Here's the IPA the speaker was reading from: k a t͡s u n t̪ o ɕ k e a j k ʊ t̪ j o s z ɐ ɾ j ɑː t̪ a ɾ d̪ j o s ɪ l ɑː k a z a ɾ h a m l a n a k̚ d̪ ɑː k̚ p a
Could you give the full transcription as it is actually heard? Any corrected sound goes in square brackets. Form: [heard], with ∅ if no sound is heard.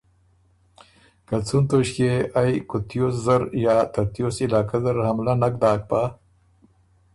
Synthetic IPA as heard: k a t͡s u n t̪ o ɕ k e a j k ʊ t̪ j o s z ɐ ɾ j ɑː t̪ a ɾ [t̪] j o s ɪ l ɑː k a z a ɾ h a m l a n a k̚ d̪ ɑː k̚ p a

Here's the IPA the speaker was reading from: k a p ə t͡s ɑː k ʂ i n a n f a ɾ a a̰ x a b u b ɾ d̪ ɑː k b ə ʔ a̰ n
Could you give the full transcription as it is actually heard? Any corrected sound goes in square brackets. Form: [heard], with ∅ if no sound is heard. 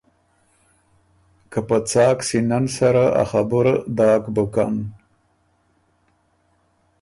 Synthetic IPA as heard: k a p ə t͡s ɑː k [s] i n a n [s] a ɾ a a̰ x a b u [∅] ɾ d̪ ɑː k b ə [k] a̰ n

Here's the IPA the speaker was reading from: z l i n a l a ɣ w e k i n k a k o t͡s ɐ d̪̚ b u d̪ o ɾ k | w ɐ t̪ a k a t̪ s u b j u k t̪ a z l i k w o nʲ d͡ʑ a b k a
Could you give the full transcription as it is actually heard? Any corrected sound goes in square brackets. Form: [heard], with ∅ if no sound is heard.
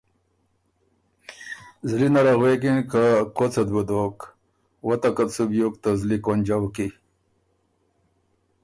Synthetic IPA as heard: z l i n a [ɾ] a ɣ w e k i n k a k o t͡s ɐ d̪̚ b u d̪ o [∅] k | w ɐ t̪ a k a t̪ s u b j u k t̪ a z l i k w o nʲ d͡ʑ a [w] k [i]

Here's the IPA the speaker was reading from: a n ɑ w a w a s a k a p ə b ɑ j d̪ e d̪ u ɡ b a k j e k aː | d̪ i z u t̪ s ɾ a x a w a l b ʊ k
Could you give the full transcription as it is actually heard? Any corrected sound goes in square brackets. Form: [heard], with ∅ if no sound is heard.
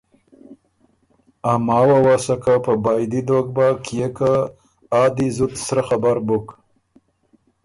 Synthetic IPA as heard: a [m] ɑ w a w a s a k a p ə b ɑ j d̪ [i] d̪ [o] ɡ b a k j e k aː | d̪ i z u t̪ s ɾ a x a [b] a [ɾ] b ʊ k

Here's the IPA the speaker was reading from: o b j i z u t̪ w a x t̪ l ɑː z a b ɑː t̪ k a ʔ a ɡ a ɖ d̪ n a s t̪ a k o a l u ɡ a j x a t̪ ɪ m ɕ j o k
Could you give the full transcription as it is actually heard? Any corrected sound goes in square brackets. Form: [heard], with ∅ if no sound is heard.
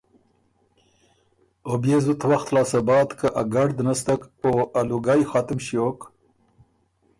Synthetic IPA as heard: o b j [e] z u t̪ w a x t̪ l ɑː [s] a b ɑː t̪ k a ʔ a ɡ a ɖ d̪ n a s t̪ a k o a l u ɡ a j x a t̪ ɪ m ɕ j o k

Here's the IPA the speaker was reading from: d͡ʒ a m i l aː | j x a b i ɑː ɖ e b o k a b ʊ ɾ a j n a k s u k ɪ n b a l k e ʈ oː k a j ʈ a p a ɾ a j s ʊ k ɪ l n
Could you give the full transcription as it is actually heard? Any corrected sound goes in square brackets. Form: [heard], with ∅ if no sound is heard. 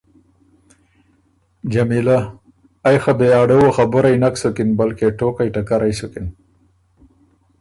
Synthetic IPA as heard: d͡ʒ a m i l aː | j x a b [e] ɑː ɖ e [w] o [x] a b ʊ ɾ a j n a k s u k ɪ n b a l k e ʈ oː k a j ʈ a [k] a ɾ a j s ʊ k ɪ [∅] n

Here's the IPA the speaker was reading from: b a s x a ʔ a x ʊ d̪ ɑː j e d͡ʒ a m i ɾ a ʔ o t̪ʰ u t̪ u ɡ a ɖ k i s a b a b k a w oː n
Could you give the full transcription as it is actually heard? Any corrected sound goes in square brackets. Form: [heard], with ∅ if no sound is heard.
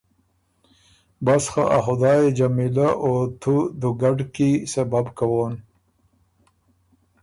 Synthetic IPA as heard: b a s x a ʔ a x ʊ d̪ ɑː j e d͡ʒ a m i [l] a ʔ o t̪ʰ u [d̪] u ɡ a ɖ k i s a b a b k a w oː n

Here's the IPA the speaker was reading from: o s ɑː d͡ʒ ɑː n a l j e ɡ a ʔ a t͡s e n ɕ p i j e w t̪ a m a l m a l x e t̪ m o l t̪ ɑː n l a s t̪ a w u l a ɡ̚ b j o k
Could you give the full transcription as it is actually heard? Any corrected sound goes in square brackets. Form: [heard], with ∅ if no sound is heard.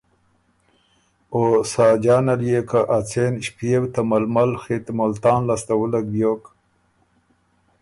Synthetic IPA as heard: o s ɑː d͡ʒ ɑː n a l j e [k] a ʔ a t͡s e n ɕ p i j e w t̪ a m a l m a l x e t̪ m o l t̪ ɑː n l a s t̪ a w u l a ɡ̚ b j o k

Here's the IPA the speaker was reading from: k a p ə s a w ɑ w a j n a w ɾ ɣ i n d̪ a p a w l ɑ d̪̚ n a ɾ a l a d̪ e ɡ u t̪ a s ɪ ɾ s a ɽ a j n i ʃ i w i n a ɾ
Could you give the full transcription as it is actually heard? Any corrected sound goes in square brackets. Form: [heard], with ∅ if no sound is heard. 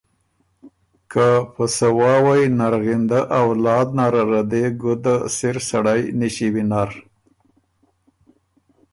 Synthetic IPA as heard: k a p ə s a w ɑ w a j n a [∅] ɾ ɣ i n d̪ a [ʔ] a w l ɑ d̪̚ n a ɾ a [ɾ] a d̪ e ɡ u [d̪] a s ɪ ɾ s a ɽ a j n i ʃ i w i n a ɾ

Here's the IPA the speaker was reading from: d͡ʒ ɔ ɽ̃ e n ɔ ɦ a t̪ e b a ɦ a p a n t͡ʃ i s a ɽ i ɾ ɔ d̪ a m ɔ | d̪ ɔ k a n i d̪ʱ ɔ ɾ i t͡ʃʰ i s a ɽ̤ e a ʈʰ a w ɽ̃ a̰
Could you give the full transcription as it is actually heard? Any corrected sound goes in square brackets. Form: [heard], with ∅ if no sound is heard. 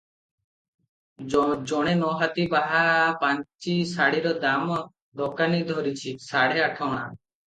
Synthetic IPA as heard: d͡ʒ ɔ ɽ̃ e n ɔ ɦ a t̪ [i] b a ɦ a p a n t͡ʃ i s a ɽ i ɾ ɔ d̪ a m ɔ | d̪ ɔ k a n i d̪ʱ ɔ ɾ i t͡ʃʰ i s a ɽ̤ e a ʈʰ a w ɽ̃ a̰

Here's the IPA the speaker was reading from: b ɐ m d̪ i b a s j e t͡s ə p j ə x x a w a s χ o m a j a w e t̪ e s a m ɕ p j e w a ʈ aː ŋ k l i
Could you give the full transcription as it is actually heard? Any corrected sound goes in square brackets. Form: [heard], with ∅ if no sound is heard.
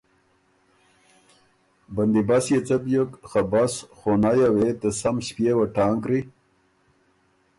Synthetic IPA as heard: b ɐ [n] d̪ i b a s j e t͡s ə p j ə [k] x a [b] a s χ o [n] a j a w e t̪ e s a m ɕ p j e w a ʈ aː ŋ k [ɾ] i

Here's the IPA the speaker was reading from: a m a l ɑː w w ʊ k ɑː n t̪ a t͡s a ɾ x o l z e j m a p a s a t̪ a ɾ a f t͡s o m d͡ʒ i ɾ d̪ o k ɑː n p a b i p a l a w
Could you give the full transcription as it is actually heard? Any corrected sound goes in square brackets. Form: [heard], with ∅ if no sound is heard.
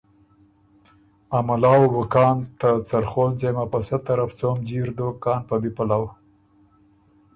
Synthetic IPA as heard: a m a l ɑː w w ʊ k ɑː n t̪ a t͡s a ɾ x o l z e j m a p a s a t̪ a ɾ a f t͡s o m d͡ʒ i ɾ d̪ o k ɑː n p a b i p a l a w

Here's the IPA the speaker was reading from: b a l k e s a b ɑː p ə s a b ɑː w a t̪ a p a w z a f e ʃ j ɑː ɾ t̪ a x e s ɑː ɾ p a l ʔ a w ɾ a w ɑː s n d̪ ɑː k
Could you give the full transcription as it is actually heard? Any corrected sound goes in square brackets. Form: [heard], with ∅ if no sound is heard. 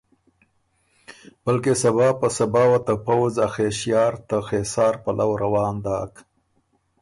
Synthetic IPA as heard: b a l k e s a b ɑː p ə s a b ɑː w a t̪ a p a w z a [x] e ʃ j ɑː ɾ t̪ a x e s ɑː ɾ p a l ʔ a w ɾ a w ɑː [∅] n d̪ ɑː k

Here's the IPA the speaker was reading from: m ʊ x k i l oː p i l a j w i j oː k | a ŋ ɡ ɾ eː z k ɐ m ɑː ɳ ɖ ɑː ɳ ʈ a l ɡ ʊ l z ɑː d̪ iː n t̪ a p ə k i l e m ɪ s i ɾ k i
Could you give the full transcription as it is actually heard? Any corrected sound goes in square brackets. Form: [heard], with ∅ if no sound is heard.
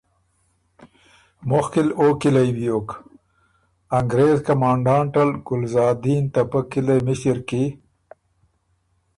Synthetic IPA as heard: m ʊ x k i l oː [k] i l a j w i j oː k | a ŋ ɡ ɾ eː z k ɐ m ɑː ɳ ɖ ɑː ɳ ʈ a l ɡ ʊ l z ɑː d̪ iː n t̪ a p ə k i l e m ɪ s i ɾ k i

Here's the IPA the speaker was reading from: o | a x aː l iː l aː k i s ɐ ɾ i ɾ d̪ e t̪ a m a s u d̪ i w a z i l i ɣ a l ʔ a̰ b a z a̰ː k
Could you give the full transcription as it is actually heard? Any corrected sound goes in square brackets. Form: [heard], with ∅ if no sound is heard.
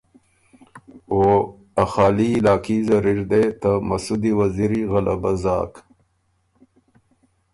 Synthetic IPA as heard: o | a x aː l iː l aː k i [z] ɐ ɾ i ɾ d̪ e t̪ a m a s u d̪ i w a z i [ɾ] i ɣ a l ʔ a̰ b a z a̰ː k

